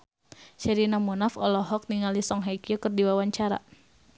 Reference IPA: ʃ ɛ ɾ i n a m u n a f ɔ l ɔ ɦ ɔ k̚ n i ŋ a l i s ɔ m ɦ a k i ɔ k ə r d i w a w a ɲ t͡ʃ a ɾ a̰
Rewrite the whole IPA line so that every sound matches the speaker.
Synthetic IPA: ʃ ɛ ɾ i n a m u n a f ɔ l ɔ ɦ ɔ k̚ n i ŋ a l i s ɔ ŋ ɦ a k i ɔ k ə r d i w a w a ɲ t͡ʃ a ɾ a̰